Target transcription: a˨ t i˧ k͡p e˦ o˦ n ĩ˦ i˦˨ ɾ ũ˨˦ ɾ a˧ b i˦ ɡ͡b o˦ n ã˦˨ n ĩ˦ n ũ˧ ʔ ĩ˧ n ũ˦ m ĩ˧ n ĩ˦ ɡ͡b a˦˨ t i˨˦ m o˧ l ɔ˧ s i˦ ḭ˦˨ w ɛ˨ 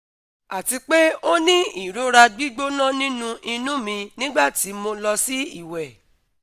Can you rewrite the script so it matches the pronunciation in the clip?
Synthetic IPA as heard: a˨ t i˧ k͡p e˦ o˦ n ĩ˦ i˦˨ ɾ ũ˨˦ ɾ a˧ ɡ͡b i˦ ɡ͡b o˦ n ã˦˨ n ĩ˦ n ũ˧ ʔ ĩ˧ n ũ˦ m ĩ˧ n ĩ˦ ɡ͡b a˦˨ t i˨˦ m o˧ l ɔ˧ s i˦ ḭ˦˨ w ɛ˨

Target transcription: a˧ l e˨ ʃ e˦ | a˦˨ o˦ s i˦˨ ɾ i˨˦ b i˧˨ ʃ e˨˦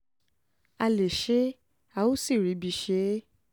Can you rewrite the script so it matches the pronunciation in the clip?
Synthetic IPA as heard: a˧ l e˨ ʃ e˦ | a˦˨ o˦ s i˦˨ ɾ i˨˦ b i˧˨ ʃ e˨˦

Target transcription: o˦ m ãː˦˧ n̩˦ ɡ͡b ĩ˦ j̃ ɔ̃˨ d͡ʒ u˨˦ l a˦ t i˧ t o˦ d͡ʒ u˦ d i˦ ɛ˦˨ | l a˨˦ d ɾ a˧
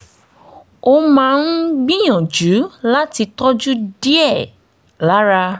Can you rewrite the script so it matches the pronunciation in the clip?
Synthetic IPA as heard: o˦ m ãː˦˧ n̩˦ ɡ͡b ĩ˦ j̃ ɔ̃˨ d͡ʒ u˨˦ l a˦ t i˧ t ɔ˦ d͡ʒ u˦ d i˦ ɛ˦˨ | l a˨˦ ɾ a˧

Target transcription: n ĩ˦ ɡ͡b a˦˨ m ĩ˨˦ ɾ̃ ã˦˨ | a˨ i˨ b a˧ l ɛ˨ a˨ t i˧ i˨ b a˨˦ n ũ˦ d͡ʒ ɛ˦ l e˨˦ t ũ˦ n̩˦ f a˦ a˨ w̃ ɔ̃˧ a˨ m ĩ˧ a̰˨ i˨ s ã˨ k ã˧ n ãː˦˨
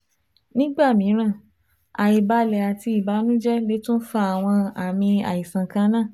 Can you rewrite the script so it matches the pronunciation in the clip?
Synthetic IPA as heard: n ĩ˦ ɡ͡b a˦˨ m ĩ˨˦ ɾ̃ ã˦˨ | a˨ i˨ b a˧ l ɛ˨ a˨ t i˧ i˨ b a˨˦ n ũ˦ d͡ʒ ɛ˦ l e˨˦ t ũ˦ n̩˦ f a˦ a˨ w̃ ɔ̃˧ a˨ m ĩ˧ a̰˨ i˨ s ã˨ k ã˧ n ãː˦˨

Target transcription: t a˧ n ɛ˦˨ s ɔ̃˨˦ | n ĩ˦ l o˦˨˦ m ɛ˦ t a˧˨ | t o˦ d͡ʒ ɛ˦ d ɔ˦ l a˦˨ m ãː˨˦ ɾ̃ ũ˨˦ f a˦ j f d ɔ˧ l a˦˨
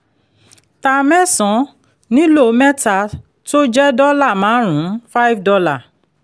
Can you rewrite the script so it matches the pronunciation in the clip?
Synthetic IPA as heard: t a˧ m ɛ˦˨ s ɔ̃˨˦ | n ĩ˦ l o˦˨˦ m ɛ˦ t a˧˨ | t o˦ d͡ʒ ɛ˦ d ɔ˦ l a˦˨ m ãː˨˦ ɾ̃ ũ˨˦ f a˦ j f d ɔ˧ l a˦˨

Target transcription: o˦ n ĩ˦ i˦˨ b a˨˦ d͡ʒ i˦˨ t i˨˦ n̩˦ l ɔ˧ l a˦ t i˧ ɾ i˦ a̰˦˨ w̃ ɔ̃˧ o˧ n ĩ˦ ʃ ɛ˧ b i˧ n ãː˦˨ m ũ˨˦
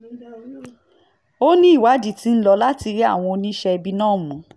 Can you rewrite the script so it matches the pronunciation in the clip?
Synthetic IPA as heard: o˦ n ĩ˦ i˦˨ w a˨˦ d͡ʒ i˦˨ t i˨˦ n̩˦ l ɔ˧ l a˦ t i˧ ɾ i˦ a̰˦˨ w̃ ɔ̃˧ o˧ n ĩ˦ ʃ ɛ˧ b i˧ n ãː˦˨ m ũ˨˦

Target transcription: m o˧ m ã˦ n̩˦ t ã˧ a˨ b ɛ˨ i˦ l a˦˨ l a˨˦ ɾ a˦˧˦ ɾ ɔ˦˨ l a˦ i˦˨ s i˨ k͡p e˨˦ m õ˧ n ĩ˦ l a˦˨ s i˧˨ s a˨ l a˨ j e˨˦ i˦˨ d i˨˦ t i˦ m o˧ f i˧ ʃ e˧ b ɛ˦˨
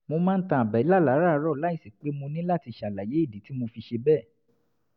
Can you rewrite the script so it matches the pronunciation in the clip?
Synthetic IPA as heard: m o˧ m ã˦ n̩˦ t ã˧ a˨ b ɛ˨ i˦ l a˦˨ l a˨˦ ɾ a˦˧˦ ɾ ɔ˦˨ l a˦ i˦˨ s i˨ k͡p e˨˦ m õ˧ n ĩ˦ l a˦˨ t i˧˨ ʃ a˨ l a˨ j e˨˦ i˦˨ d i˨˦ t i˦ m o˧ f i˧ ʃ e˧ b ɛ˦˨

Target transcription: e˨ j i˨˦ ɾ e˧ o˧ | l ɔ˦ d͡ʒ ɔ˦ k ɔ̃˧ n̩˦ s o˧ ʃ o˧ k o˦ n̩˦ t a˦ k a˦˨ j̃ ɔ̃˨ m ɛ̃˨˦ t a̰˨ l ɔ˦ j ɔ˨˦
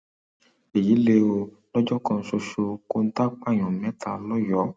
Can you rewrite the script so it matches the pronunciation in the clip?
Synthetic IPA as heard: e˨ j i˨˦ l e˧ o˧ | l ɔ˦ d͡ʒ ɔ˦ k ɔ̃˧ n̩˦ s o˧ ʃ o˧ k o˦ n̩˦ t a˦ k͡p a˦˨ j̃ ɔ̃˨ m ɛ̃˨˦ t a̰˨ l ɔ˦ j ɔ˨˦

